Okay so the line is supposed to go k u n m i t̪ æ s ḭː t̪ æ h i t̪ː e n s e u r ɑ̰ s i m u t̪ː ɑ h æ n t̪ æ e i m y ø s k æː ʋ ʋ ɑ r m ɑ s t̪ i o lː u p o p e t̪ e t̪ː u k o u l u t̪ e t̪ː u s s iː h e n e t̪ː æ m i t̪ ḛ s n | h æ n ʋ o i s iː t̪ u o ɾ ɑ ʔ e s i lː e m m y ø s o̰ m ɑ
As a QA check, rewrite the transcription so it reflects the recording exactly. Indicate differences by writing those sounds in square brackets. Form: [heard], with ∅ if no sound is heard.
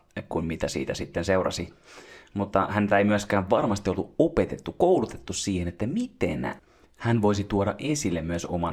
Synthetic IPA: k u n m i t̪ æ s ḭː t̪ æ [s] i t̪ː e n s e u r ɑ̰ s i m u t̪ː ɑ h æ n t̪ æ e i m y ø s k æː ʋ ʋ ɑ r m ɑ s t̪ i o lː u [∅] o p e t̪ e t̪ː u k o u l u t̪ e t̪ː u s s iː h e n e t̪ː æ m i t̪ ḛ [∅] n | h æ n ʋ o i s [i] t̪ u o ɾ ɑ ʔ e s i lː e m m y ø s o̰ m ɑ